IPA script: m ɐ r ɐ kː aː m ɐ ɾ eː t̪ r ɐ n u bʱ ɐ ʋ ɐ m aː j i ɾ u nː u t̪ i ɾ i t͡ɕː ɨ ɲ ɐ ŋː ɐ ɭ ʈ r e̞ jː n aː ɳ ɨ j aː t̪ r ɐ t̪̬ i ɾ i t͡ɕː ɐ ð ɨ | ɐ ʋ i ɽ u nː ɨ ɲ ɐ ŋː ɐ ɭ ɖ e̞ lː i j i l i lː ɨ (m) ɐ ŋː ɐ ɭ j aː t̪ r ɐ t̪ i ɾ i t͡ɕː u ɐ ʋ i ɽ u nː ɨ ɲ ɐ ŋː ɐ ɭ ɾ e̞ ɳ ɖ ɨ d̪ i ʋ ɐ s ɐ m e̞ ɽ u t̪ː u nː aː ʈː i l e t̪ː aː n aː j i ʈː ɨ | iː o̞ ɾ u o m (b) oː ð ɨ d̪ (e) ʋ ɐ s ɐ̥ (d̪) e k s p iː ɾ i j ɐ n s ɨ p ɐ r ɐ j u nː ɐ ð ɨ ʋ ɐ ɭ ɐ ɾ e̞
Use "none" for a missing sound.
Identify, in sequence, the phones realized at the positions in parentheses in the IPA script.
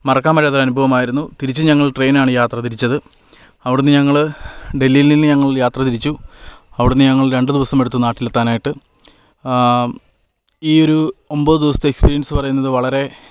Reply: ɲ, b, i, t̪

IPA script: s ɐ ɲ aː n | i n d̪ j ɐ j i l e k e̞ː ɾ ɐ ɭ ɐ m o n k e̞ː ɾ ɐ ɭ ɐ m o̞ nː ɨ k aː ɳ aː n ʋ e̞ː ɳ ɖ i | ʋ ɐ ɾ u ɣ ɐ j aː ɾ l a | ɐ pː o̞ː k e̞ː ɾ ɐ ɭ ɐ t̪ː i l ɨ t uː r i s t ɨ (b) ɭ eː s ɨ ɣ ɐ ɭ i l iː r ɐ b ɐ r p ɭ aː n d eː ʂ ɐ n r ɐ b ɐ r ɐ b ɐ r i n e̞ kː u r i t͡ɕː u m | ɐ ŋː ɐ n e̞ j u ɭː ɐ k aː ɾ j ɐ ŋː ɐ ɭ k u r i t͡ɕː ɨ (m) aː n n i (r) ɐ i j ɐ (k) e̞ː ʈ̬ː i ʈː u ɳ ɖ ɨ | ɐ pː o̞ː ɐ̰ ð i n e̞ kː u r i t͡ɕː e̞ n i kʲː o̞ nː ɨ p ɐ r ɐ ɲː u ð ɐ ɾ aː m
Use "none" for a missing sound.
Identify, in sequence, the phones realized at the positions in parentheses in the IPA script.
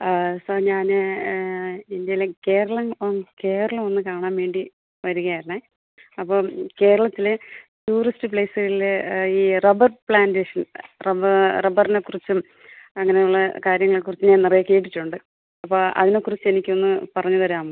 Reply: p, ɲ, r, k

